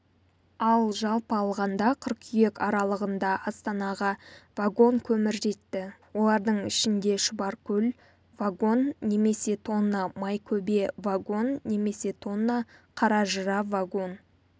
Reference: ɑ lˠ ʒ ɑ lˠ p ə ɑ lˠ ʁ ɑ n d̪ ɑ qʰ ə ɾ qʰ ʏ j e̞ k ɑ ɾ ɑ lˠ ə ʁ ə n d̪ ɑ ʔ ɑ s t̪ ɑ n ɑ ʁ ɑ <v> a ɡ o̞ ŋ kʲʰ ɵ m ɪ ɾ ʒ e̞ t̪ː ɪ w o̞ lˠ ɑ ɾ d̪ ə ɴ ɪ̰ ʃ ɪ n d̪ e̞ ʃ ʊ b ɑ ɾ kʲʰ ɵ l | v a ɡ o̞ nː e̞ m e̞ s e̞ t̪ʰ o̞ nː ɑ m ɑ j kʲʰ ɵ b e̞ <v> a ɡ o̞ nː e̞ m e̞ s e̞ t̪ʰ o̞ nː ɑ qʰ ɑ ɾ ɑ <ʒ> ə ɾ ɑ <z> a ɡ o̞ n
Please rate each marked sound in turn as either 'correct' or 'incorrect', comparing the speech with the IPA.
correct, correct, correct, incorrect: v

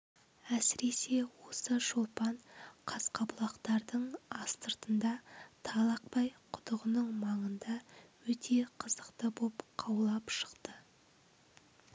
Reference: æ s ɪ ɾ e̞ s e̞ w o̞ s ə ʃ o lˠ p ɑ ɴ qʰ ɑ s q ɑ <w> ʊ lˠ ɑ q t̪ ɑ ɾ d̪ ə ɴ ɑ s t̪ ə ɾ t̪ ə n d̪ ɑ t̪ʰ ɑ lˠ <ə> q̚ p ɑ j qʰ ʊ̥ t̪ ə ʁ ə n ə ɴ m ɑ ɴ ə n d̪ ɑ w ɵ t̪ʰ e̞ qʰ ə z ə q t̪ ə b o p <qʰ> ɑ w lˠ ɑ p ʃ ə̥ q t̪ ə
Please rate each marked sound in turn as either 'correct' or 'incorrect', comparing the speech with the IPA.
incorrect: b, incorrect: ɑ, correct

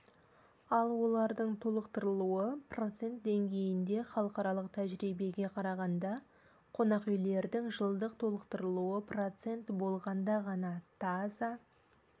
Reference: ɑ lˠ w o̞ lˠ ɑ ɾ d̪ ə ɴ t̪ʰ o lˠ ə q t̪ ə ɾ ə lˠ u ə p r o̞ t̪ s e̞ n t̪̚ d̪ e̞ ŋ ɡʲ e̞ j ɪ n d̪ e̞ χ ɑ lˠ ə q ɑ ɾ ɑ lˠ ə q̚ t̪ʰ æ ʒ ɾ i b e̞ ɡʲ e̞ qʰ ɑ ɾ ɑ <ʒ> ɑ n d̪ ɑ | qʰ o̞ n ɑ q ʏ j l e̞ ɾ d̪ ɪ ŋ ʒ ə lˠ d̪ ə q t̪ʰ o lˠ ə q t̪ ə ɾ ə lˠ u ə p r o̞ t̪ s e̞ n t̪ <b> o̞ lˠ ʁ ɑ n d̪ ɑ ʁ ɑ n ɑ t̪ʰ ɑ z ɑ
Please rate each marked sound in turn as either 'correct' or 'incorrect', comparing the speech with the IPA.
incorrect: ʁ, correct

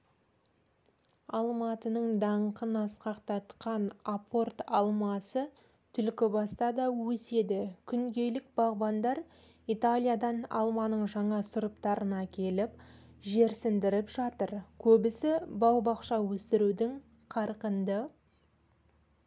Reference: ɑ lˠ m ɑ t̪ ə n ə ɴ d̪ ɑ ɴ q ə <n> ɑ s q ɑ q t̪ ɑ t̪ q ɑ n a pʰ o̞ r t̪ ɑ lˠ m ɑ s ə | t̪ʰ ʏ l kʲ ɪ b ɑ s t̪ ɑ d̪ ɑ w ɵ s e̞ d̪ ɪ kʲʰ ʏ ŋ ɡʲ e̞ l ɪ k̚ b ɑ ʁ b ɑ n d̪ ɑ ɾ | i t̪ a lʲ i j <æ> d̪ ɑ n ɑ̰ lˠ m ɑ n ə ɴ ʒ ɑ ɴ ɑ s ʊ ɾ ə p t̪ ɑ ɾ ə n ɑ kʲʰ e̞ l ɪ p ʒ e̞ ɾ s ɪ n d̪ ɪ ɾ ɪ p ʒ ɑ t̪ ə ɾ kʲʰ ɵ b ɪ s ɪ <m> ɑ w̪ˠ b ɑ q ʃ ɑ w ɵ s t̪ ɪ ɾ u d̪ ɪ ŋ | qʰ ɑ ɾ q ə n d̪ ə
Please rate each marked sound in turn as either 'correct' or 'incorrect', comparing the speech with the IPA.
correct, incorrect: a, incorrect: b

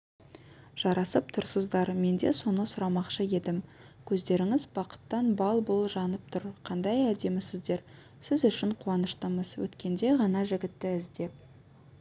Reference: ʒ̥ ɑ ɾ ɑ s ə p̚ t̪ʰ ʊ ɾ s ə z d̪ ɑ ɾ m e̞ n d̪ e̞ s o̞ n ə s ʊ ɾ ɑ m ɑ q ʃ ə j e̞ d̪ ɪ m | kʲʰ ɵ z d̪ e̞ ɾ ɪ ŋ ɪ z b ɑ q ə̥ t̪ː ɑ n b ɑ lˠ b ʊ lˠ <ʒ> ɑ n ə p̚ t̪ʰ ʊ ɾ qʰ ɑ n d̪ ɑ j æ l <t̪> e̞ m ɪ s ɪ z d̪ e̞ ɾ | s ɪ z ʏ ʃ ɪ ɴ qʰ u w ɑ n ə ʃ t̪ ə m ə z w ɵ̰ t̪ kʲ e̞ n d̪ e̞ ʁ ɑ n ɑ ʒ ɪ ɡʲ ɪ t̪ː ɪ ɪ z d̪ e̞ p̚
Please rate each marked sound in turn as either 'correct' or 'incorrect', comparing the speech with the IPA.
correct, incorrect: d̪

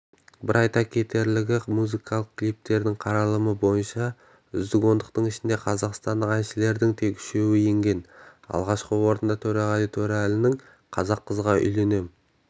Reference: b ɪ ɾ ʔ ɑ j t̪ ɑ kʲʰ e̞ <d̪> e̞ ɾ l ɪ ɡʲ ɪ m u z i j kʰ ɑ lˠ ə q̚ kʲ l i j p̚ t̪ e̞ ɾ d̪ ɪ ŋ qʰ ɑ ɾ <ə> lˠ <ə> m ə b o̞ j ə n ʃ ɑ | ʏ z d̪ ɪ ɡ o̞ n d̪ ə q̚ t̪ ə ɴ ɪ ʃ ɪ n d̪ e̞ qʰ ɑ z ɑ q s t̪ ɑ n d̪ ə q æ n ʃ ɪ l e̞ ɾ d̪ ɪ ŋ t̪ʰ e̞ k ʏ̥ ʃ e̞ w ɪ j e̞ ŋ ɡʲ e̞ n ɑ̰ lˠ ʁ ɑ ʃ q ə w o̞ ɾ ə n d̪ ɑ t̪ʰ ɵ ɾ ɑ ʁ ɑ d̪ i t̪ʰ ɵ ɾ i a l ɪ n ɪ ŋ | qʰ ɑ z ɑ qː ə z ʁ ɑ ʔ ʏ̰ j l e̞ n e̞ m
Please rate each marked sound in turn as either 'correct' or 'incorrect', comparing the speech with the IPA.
incorrect: t̪, incorrect: ɑ, correct

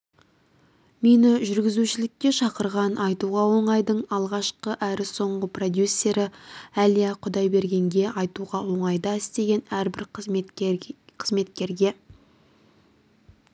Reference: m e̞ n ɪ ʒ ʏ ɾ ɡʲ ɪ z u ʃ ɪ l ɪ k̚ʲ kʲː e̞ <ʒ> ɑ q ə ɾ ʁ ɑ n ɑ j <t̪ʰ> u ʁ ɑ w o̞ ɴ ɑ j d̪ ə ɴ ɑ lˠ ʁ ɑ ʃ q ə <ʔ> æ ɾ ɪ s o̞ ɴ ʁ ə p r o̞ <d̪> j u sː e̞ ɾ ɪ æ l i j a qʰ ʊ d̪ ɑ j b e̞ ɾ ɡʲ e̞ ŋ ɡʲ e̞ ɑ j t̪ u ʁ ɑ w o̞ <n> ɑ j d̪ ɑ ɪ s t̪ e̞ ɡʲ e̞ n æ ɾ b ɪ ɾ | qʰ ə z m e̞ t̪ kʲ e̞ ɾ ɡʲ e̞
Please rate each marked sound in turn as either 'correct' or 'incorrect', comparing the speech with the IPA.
incorrect: ʃ, incorrect: t̪, correct, correct, incorrect: ɴ

